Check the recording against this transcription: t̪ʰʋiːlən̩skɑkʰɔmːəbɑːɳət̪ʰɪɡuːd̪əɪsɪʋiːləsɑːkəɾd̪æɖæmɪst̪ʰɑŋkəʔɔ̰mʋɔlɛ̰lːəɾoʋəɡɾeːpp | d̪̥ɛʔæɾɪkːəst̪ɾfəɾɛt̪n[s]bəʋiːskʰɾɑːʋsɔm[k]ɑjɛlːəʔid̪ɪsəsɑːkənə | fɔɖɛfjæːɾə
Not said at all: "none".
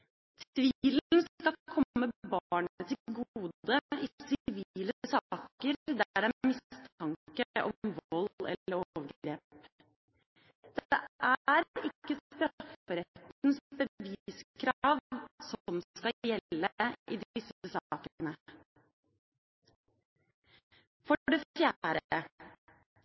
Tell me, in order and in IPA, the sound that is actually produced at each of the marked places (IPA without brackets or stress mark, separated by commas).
s, k